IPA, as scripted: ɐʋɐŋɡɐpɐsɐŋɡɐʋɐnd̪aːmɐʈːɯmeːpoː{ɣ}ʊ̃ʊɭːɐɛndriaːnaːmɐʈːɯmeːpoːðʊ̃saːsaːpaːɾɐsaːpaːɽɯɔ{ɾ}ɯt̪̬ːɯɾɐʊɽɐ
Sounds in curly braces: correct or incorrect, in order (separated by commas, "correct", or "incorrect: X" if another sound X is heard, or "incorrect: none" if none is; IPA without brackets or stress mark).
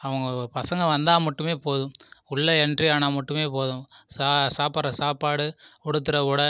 incorrect: ð, incorrect: ɽ